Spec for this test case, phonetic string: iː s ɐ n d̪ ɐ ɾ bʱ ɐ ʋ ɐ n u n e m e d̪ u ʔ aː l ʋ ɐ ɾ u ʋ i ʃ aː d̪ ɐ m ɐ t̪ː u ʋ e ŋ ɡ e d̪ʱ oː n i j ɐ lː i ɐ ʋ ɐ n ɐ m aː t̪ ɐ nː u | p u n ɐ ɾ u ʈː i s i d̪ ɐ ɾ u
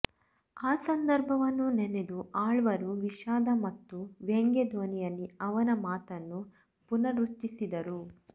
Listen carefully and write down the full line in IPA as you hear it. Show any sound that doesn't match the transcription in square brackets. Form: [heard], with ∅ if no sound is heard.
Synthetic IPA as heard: [aː] s ɐ n d̪ ɐ ɾ bʱ ɐ ʋ ɐ [nː] u n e [n] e d̪ u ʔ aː [ɭ] ʋ ɐ ɾ u ʋ i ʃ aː d̪ ɐ m ɐ t̪ː u ʋ e ŋ ɡ e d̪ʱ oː n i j ɐ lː i ɐ ʋ ɐ n ɐ m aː t̪ ɐ nː u | p u n ɐ ɾ u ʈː i s i d̪ ɐ ɾ u